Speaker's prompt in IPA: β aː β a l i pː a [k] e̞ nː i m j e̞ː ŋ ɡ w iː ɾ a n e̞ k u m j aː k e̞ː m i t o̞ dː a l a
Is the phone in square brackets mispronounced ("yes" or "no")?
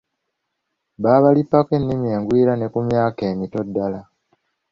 no